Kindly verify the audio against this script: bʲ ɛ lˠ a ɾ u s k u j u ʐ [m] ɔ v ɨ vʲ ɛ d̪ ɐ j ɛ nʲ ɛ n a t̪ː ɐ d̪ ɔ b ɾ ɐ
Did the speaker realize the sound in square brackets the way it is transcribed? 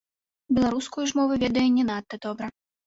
yes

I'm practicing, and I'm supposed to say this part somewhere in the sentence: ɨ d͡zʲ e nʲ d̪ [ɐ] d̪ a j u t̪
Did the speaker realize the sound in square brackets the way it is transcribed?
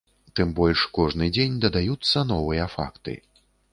yes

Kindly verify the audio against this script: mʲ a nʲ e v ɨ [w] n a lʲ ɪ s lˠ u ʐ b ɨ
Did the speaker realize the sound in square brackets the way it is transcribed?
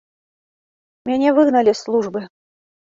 no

